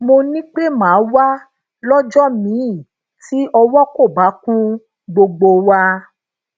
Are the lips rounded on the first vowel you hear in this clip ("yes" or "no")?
yes